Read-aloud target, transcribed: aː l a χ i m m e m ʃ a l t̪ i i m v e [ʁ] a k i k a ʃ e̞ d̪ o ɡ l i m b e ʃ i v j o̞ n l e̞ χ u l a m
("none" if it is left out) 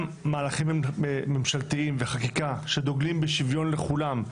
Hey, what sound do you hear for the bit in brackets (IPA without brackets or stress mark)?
χ